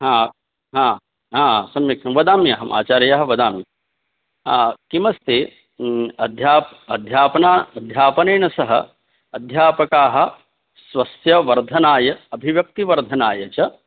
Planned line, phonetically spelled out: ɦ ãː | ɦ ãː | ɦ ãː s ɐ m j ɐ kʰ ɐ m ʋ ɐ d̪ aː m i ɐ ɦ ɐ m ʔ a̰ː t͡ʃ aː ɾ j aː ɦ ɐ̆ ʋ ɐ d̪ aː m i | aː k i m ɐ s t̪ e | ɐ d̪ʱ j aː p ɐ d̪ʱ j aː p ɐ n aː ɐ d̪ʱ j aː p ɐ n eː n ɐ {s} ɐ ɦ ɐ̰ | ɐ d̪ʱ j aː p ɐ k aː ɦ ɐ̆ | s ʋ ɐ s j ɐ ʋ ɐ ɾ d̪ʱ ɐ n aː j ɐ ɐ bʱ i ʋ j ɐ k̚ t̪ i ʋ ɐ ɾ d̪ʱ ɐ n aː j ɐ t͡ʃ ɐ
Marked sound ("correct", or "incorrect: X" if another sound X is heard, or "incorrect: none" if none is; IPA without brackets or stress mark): correct